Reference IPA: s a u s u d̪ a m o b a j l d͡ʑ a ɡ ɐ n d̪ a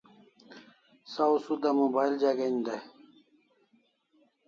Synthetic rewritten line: s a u s u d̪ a m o b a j l d͡ʑ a ɡ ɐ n d̪ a